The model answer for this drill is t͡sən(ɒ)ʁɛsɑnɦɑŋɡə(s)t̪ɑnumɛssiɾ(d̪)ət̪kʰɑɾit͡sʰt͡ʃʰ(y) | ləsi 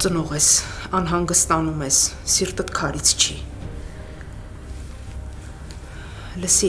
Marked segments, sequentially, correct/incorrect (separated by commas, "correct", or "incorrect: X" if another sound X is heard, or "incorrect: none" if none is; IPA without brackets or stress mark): incorrect: ɔ, correct, incorrect: t̪, incorrect: i